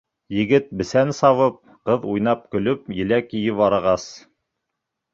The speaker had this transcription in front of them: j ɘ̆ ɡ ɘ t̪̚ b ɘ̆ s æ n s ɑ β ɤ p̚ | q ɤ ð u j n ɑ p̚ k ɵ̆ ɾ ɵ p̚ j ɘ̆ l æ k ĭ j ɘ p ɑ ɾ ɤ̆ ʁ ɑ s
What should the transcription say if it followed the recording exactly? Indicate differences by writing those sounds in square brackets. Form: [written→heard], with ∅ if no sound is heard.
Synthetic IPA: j ɘ̆ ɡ ɘ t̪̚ b ɘ̆ s æ n s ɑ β ɤ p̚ | q ɤ ð u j n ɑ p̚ k ɵ̆ [ɾ→l] ɵ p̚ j ɘ̆ l æ k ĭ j ɘ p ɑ ɾ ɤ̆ ʁ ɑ s

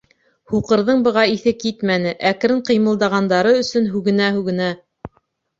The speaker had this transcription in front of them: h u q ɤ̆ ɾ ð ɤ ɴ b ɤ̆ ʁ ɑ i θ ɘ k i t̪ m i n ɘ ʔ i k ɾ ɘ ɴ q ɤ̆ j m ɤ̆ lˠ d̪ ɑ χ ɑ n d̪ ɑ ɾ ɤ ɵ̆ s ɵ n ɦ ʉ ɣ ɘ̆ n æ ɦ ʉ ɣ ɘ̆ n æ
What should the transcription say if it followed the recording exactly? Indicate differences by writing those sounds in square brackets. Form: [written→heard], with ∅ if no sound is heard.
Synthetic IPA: h u q ɤ̆ ɾ ð ɤ ɴ b ɤ̆ ʁ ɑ i θ ɘ k i t̪ m [i→æ] n ɘ ʔ [i→æ] k ɾ ɘ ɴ q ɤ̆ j m ɤ̆ lˠ d̪ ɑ [χ→ʁ] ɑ n d̪ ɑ ɾ ɤ ɵ̆ s ɵ n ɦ ʉ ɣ ɘ̆ n æ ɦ ʉ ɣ ɘ̆ n æ

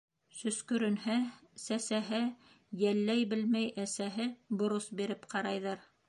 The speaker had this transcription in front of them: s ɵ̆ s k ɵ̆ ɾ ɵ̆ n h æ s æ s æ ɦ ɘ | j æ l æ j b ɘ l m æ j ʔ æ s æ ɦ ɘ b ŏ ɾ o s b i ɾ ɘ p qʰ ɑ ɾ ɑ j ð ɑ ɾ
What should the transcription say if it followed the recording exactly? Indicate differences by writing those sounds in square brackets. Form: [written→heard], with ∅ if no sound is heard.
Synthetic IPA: s ɵ̆ s k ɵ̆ ɾ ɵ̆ n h æ s æ s æ ɦ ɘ | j æ [l→lː] æ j b ɘ l m æ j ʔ æ s æ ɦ ɘ b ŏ ɾ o s b i ɾ ɘ p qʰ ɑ ɾ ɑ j ð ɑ ɾ

